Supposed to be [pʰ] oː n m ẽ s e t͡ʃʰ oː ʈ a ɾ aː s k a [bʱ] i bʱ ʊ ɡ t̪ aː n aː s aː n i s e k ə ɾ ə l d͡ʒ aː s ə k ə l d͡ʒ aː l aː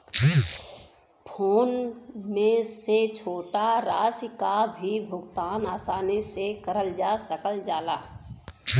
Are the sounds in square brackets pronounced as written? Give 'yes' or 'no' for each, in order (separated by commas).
yes, yes